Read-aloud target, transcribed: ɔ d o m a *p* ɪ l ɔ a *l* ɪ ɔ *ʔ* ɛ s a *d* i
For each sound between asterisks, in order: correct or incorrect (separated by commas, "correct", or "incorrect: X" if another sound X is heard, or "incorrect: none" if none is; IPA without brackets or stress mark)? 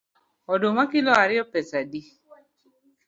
incorrect: k, incorrect: ɾ, incorrect: p, correct